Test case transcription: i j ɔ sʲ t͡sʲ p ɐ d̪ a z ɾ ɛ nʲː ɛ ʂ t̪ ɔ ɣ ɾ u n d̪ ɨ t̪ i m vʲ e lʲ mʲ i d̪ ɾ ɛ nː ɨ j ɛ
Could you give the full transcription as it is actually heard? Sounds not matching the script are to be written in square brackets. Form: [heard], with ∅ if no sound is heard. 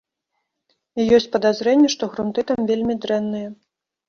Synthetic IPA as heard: i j ɔ sʲ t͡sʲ p ɐ d̪ a z ɾ ɛ nʲː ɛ ʂ t̪ ɔ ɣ ɾ u n [t̪] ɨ t̪ [a] m vʲ e lʲ mʲ i d̪ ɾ ɛ nː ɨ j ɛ